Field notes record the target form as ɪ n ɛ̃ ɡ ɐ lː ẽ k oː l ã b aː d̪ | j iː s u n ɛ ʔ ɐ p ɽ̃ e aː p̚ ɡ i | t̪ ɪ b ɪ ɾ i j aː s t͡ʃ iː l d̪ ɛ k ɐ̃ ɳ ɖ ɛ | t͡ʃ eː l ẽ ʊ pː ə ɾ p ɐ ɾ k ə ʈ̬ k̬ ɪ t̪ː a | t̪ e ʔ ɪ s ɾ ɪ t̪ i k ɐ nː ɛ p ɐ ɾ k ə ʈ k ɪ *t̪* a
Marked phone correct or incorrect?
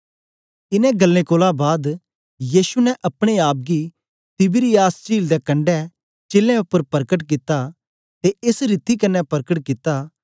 correct